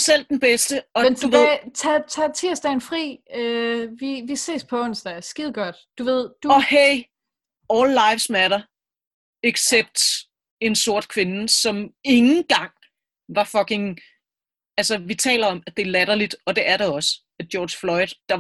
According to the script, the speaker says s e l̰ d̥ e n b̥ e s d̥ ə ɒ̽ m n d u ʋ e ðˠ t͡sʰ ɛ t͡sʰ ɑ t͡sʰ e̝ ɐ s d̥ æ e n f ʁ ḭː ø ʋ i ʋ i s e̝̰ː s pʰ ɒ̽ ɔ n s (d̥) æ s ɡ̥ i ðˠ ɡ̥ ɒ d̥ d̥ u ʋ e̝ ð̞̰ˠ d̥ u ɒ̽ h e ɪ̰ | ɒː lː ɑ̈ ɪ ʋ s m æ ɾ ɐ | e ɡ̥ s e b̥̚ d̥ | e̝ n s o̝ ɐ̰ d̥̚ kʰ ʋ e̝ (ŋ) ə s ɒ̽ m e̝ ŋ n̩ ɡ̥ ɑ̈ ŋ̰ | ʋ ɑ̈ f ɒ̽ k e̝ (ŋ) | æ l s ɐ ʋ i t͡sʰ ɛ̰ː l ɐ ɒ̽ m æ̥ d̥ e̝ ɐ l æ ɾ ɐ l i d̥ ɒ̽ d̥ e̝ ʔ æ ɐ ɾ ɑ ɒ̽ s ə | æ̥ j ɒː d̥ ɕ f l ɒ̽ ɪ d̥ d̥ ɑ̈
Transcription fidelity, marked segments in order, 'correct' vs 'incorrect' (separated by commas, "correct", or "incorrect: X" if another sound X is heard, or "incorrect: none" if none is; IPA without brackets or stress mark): correct, incorrect: n, correct